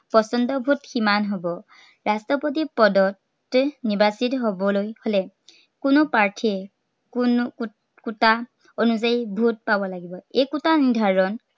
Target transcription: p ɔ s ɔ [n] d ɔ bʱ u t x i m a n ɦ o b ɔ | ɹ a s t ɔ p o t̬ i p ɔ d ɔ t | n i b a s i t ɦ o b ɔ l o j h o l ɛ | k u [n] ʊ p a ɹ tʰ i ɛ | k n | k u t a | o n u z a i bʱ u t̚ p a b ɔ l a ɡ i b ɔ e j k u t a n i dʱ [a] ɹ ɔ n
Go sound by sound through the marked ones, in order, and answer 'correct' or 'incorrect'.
correct, correct, correct

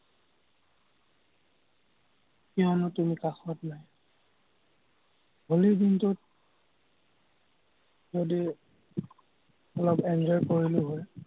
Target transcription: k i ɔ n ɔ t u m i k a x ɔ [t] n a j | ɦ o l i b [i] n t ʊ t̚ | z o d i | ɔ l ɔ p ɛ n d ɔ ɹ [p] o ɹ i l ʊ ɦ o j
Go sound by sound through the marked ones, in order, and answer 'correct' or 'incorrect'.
correct, correct, incorrect

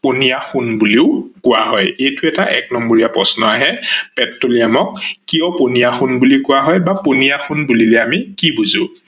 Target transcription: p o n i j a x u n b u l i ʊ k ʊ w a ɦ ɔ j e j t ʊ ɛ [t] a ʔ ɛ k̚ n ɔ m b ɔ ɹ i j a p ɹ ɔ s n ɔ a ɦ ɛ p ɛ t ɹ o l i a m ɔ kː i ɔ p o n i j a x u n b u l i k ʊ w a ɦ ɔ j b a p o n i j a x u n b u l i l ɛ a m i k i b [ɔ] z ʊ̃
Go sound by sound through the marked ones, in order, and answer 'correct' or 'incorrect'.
correct, incorrect

